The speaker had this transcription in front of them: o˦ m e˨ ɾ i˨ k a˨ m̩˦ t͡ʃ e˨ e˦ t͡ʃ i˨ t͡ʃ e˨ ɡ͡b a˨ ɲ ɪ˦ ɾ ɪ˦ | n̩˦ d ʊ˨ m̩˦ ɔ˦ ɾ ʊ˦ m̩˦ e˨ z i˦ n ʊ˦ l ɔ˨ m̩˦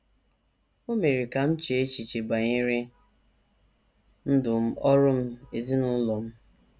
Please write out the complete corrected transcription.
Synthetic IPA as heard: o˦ m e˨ ɾ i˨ k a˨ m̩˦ t͡ʃ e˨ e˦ t͡ʃ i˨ t͡ʃ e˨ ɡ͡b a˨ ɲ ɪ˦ ɾ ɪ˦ | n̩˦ d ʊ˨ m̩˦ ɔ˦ ɾ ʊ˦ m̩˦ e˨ z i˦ n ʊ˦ l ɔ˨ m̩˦